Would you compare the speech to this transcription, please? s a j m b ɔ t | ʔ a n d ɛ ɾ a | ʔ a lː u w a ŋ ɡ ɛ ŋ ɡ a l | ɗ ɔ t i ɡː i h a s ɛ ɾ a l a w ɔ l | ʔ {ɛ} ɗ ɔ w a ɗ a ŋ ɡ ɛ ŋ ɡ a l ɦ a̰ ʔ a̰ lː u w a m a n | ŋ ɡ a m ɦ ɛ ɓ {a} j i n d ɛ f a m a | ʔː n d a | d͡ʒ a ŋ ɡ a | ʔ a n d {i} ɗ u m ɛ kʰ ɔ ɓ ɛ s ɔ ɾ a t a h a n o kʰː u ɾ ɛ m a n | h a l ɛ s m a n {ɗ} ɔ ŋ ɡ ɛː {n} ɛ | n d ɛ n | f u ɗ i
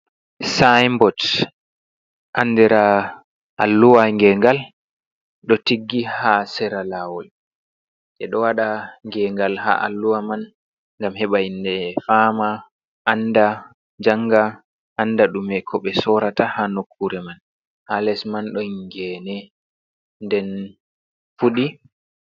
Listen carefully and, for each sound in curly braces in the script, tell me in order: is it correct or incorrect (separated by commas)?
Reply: correct, correct, incorrect, correct, correct